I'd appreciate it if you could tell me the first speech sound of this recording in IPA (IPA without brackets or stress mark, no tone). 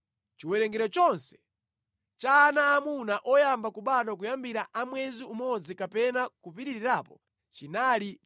t͡ʃ